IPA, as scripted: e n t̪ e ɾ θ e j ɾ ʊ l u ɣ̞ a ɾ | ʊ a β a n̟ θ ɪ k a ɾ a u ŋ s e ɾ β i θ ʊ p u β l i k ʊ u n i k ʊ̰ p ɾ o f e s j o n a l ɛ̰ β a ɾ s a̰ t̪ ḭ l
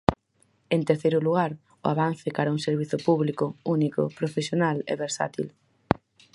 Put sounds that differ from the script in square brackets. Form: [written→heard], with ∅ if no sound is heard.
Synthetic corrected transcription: e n t̪ e ɾ θ e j ɾ ʊ l u ɣ̞ a ɾ | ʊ a β a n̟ θ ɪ k a ɾ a u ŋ s e ɾ β i θ ʊ p u β l i k ʊ u n i k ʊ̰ p ɾ o f e s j o n a l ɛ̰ β [a→e] ɾ s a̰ t̪ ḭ l